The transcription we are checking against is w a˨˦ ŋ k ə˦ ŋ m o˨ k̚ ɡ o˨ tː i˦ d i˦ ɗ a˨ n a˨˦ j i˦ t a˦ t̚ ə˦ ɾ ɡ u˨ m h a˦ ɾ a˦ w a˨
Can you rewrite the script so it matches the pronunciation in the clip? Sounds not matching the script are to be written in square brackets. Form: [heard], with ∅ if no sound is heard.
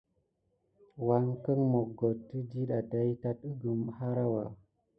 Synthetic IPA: w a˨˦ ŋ k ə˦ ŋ m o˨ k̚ ɡ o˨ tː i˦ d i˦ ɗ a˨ [d] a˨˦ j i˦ t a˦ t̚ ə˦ [∅] ɡ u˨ m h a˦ ɾ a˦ w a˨